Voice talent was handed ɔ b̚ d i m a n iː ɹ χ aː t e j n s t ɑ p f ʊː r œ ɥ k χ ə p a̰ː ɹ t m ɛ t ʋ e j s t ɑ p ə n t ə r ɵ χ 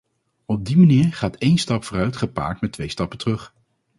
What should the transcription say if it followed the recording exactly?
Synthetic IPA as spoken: ɔ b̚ d i m a n iː ɹ χ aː t e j n s t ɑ p f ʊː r œ ɥ t χ ə p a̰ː ɹ t m ɛ t ʋ e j s t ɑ p ə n t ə r ɵ χ